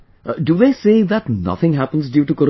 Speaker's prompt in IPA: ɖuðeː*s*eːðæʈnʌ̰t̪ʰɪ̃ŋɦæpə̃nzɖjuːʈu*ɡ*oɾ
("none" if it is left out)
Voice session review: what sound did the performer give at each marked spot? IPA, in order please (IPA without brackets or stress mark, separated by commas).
s, k